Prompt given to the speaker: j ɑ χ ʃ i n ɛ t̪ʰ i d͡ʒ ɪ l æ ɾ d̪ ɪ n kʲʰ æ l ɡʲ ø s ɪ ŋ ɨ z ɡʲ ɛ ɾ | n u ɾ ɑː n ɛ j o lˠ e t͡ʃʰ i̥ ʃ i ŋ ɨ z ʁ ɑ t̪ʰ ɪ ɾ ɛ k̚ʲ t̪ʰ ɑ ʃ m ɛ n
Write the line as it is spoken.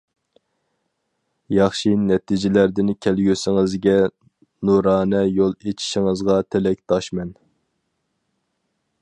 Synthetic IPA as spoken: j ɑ χ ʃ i n ɛ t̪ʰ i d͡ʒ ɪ l æ ɾ d̪ ɪ n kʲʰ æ l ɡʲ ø s ɪ ŋ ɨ z ɡʲ ɛ | n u ɾ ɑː n ɛ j o lˠ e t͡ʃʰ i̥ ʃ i ŋ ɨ z ʁ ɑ t̪ʰ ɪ l ɛ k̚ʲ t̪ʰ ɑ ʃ m ɛ n

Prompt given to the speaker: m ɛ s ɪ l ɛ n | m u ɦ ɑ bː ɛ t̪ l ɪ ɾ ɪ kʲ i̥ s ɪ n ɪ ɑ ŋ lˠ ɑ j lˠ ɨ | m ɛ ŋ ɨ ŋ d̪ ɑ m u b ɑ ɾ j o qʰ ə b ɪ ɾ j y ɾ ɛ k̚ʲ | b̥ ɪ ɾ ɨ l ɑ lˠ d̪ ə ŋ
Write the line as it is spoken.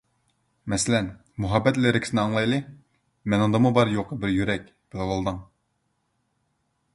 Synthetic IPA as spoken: m ɛ s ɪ l ɛ n | m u ɦ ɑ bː ɛ t̪ l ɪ ɾ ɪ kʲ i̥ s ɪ n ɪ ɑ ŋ lˠ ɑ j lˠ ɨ | m ɛ n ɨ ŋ d̪ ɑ m u b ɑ ɾ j o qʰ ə b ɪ ɾ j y ɾ ɛ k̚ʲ | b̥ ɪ l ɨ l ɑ lˠ d̪ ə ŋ

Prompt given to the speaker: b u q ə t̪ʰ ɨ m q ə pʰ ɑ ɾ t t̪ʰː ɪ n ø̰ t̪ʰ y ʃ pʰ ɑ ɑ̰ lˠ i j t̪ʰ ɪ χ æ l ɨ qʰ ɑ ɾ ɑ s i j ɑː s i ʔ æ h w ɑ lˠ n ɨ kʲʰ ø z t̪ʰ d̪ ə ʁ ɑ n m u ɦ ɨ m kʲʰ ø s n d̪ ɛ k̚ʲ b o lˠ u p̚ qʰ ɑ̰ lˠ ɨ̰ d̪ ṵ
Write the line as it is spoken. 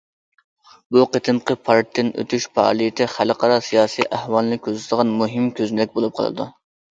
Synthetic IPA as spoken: b u q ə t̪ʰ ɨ m q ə pʰ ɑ ɾ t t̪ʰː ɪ n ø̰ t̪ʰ y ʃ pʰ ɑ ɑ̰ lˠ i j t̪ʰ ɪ χ æ l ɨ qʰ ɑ ɾ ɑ s i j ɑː s i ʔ æ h w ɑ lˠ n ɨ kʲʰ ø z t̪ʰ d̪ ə ʁ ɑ n m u ɦ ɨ m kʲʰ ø z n d̪ ɛ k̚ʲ b o lˠ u p̚ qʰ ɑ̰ lˠ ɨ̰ d̪ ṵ

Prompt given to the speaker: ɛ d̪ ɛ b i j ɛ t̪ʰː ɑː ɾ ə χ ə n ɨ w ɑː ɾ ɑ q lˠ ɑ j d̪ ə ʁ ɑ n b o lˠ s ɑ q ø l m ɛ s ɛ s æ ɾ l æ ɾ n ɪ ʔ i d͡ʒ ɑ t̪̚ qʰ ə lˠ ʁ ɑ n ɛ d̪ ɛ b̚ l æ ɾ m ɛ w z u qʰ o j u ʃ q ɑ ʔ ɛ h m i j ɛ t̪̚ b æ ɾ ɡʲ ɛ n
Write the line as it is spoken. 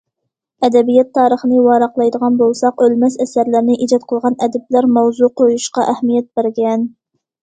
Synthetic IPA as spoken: ɛ d̪ ɛ b i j ɛ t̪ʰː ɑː ɾ ə χ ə n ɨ w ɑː ɾ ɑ q lˠ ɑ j d̪ ə ʁ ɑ n b o lˠ s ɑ q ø l m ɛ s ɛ s æ ɾ l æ ɾ n ɪ ʔ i d͡ʒ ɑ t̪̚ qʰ ə lˠ ʁ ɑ n ɛ d̪ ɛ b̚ l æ ɾ m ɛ w z u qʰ o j u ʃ q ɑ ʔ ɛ h m i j ɛ t̪̚ b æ ɾ ɡʲ ɛ n

